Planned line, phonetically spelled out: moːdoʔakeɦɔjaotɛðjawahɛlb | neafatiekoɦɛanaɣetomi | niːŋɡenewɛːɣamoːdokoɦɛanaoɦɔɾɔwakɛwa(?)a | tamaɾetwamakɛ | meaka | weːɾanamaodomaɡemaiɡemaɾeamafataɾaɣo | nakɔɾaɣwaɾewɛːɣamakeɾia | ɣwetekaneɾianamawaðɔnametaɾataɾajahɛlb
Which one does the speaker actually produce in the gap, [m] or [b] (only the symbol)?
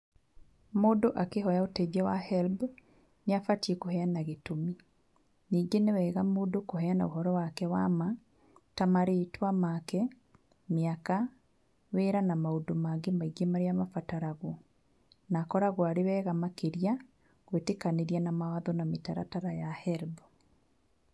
m